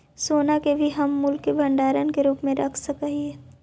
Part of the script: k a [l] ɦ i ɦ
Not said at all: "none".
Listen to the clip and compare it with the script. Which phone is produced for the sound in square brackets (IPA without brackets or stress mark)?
none